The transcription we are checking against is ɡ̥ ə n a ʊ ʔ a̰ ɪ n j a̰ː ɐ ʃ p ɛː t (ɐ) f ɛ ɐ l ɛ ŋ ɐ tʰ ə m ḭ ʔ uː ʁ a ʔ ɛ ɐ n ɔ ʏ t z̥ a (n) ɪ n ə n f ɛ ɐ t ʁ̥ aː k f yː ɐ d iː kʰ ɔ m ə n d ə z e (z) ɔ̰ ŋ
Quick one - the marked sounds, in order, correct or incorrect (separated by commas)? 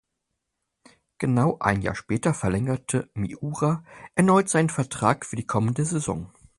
correct, incorrect, correct